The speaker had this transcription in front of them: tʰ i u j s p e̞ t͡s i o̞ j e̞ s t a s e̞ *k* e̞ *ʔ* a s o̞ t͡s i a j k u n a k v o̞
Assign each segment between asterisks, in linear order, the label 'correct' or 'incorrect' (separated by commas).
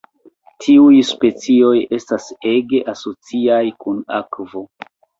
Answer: incorrect, correct